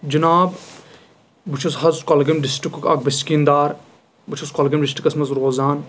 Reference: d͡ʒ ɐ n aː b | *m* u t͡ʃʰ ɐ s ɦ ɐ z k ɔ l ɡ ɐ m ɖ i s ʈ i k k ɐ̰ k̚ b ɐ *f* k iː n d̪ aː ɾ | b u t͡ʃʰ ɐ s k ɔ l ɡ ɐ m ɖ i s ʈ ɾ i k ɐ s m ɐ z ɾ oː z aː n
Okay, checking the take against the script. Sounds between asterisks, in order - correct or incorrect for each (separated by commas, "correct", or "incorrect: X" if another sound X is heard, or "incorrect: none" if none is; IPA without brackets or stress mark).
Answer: incorrect: b, incorrect: s